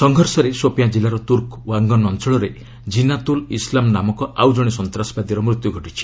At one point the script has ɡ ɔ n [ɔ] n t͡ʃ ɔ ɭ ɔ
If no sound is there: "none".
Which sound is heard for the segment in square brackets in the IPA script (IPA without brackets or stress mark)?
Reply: ɔ